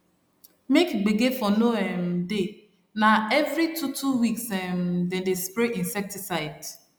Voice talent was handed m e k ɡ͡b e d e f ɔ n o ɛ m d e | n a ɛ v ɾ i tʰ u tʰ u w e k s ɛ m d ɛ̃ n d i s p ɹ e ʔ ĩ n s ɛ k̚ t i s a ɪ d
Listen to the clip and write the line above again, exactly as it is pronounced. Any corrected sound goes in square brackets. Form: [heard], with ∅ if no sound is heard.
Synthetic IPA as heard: m e k ɡ͡b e [ɡ] e f ɔ n o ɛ m d e | n a ɛ v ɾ i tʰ u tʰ u w [i] k s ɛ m d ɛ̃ n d [e] s p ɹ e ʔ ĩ n s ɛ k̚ t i s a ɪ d

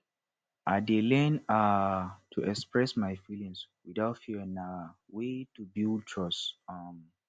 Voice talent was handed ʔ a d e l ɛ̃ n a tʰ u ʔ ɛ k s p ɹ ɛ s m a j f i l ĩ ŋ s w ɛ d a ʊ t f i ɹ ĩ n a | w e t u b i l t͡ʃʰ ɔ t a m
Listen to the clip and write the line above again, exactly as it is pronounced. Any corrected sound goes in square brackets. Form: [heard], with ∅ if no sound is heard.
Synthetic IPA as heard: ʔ a d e l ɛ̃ n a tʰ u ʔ ɛ k s p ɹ ɛ s m a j f i l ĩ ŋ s w [i] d a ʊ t f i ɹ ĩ n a | w e t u b i l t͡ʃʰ ɔ [s] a m

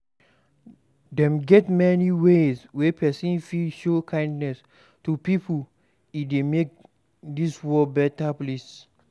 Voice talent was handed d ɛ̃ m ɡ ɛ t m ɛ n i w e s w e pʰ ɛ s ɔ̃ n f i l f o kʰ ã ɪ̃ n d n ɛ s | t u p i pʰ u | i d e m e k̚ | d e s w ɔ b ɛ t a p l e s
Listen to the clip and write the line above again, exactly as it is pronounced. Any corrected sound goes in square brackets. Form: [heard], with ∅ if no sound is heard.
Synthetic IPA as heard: d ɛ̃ m ɡ ɛ t m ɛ n i w e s w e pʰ ɛ s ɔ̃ n f i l [ʃ] o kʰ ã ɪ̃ n d n ɛ s | t u p i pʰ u | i d e m e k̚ | d [i] s w ɔ b ɛ t a p l e s

